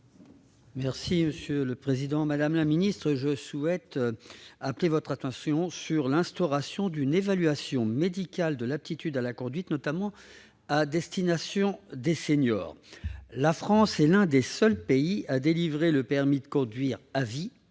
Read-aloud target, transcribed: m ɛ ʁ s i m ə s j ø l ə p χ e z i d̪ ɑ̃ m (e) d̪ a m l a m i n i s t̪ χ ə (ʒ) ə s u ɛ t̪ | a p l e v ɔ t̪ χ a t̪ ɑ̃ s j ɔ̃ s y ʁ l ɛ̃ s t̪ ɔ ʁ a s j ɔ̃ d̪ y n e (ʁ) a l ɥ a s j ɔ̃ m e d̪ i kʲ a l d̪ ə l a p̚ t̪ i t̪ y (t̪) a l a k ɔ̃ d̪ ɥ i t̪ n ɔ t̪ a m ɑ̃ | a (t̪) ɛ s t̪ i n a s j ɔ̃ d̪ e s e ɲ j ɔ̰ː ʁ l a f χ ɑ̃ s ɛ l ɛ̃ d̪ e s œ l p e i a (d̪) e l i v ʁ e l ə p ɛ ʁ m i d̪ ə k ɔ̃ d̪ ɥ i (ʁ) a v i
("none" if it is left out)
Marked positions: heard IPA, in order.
a, ʒ, v, d̪, d̪, d̪, ʁ

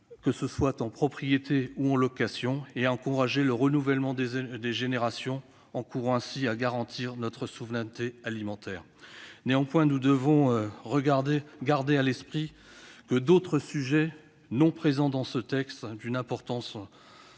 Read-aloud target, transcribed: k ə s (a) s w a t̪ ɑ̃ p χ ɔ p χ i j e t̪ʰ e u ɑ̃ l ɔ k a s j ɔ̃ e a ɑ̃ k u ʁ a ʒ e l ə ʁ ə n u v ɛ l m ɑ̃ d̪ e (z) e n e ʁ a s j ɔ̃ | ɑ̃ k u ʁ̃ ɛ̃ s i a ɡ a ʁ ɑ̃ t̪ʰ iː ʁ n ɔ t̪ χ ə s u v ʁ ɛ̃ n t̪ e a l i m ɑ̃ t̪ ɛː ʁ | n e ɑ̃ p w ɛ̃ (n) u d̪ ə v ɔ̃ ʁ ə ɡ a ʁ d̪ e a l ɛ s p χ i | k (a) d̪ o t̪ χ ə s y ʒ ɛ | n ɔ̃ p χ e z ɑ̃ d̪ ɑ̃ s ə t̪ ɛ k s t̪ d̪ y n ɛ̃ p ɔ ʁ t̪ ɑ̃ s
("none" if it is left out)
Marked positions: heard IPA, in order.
ə, ʒ, n, ə

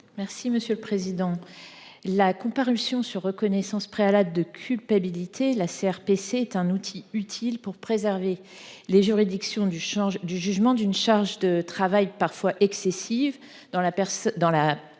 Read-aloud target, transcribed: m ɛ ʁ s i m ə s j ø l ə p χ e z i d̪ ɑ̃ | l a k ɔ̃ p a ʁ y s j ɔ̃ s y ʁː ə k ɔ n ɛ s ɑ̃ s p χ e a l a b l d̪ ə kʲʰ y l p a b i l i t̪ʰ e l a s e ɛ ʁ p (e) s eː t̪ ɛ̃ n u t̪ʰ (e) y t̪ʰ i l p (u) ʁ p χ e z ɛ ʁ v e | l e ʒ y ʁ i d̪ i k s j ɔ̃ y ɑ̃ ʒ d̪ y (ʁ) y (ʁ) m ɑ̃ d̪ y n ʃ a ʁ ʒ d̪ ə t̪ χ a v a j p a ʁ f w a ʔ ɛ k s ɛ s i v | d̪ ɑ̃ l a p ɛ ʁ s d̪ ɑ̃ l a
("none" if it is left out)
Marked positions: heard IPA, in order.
e, i, u, ʒ, ʒ

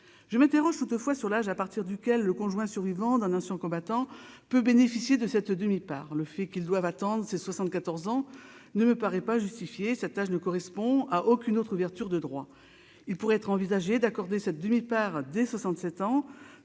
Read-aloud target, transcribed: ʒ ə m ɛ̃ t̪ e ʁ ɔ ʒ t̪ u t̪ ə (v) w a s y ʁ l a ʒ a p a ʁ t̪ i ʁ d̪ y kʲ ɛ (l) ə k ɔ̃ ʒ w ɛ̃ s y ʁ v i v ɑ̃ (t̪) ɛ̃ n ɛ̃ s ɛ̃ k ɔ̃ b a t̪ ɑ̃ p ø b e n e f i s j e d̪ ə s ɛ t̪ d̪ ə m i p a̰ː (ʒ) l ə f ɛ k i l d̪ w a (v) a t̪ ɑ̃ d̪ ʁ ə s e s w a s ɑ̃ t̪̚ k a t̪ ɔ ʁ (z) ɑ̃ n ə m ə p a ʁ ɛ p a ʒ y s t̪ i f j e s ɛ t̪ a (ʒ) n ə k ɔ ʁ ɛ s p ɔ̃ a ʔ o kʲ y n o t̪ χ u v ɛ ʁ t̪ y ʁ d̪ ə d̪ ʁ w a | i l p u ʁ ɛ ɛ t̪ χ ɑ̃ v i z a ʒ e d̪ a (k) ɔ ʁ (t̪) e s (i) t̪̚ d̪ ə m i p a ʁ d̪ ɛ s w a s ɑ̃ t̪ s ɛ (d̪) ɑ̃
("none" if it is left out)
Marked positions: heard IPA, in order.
f, lː, d̪, ʁ, v, z, ʒ, k, d̪, ɛ, t̪

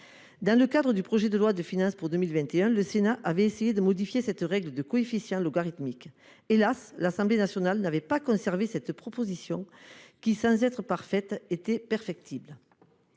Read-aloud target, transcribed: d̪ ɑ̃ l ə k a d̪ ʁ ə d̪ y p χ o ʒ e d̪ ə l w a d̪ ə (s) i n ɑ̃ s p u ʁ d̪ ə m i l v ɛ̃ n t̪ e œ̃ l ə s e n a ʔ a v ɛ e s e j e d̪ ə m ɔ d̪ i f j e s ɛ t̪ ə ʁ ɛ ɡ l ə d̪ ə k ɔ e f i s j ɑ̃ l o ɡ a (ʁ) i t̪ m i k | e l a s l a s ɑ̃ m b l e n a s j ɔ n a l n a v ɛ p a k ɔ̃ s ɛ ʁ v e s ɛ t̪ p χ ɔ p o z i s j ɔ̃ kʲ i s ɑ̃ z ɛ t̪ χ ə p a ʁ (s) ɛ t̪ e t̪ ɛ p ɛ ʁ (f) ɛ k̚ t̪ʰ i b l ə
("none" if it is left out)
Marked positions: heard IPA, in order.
f, ʁ, f, f

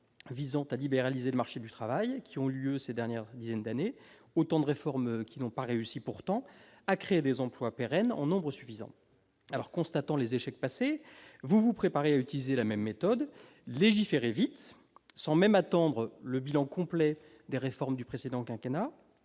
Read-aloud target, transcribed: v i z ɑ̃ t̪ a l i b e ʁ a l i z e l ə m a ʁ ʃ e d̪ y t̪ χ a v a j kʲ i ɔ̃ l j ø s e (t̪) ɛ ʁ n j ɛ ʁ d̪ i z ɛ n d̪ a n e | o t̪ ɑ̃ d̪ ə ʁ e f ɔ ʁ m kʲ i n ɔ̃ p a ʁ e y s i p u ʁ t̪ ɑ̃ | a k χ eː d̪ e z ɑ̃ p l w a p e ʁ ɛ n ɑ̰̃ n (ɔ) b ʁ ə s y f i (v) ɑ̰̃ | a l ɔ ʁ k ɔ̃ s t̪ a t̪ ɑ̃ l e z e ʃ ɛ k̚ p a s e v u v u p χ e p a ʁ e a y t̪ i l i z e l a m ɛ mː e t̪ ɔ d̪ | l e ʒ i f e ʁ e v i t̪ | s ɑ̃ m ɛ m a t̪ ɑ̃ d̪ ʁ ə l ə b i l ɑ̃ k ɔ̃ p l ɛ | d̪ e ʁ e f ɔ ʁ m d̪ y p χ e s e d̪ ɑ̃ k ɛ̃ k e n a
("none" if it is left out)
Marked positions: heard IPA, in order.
d̪, ɔ̃, z

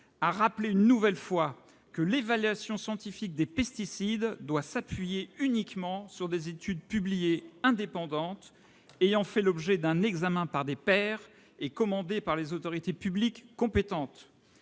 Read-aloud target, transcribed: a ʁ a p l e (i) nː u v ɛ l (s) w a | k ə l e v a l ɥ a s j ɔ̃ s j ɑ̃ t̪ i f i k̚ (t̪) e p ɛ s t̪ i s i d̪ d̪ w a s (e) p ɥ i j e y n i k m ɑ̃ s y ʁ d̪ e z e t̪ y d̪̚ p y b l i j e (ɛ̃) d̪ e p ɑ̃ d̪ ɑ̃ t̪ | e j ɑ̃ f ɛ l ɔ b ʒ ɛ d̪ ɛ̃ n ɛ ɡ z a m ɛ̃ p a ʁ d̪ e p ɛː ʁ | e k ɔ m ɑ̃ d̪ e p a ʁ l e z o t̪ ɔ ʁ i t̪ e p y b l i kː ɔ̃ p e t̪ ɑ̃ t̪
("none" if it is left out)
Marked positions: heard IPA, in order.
y, f, d̪, a, ɛ̃

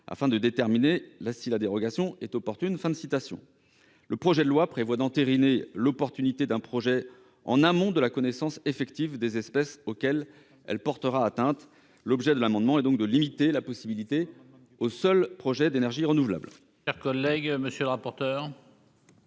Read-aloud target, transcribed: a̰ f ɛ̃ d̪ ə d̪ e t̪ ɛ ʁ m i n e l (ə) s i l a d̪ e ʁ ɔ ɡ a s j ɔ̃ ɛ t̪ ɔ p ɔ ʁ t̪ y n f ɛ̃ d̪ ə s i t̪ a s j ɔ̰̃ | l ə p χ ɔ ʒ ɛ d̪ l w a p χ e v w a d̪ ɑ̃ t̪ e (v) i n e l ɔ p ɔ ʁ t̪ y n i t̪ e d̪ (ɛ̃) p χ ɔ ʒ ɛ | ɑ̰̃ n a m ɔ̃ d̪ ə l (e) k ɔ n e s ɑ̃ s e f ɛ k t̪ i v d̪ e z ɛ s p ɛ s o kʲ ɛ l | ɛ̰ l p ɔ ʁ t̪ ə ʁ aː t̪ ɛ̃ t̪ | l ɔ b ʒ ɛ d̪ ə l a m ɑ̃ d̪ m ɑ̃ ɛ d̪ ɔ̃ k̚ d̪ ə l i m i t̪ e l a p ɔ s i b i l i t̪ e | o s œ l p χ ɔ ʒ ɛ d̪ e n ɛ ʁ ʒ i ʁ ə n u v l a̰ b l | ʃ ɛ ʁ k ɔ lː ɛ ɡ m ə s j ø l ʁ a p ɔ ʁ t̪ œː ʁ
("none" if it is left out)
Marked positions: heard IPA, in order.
a, ʁ, ɛ̃, a

